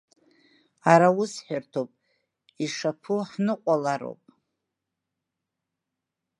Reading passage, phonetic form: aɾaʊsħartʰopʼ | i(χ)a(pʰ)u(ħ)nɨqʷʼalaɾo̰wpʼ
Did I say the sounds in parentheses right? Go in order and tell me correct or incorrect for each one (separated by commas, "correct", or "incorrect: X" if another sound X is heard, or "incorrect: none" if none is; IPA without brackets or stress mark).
incorrect: ʂ, correct, correct